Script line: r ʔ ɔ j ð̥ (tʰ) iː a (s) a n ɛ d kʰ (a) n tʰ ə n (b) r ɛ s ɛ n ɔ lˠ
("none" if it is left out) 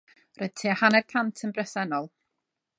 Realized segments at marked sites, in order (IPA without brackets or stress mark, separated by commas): tʰ, h, a, b